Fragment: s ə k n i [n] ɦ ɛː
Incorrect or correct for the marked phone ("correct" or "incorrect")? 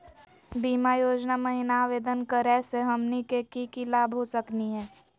incorrect